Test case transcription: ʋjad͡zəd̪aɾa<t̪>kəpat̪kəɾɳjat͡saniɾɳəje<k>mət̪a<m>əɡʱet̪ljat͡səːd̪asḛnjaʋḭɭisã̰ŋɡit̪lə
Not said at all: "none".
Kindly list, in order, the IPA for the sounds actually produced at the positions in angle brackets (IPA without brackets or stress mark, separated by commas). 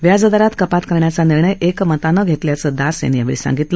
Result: t̪, k, n